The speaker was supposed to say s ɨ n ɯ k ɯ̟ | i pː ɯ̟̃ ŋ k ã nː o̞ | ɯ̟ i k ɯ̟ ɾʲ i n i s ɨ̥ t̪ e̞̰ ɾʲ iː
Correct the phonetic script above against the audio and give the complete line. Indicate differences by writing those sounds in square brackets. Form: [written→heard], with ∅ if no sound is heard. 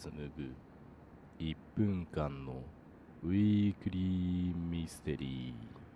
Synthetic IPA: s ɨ n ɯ [k→ɡ] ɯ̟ | i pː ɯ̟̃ ŋ k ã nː o̞ | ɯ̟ i k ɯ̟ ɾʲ i [n→m] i s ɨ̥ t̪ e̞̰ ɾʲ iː